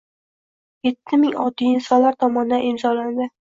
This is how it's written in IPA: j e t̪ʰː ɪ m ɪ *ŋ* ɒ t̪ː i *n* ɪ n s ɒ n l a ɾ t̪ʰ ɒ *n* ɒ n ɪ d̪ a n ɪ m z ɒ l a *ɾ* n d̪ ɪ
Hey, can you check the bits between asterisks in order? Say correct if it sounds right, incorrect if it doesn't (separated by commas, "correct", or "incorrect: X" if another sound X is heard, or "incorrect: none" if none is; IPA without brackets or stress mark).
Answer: correct, incorrect: none, incorrect: m, incorrect: none